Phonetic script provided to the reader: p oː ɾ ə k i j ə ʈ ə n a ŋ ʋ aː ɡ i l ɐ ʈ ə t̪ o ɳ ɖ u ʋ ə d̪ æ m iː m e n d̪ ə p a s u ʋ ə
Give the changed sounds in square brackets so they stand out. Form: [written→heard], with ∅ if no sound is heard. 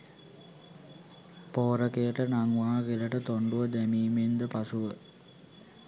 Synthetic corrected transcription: p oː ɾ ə k [i→e] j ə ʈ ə n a ŋ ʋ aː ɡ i l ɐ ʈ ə t̪ o ɳ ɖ u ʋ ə d̪ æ m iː m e n d̪ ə p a s u ʋ ə